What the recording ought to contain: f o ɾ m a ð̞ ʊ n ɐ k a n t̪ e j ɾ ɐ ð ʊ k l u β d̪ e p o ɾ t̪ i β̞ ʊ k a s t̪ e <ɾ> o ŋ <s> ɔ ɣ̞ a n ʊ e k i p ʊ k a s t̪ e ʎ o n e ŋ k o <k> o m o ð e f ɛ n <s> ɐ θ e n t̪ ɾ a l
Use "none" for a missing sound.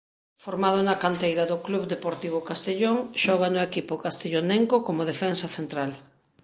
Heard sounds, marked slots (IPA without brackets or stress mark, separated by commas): ʎ, ʃ, k, s